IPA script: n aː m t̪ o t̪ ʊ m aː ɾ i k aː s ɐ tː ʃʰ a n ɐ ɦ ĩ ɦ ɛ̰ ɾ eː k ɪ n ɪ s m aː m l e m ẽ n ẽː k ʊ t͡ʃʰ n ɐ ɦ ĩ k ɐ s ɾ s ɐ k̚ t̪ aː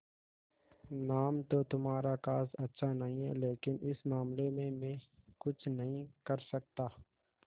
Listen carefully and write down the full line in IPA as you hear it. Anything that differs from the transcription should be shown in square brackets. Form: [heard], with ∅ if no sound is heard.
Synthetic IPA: n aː m t̪ o t̪ ʊ m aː ɾ [a] k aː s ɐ tː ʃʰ a n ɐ ɦ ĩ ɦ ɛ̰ [l] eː k ɪ n ɪ s m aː m l e m ẽ [m] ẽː k ʊ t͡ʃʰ n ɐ ɦ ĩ k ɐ [∅] ɾ s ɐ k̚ t̪ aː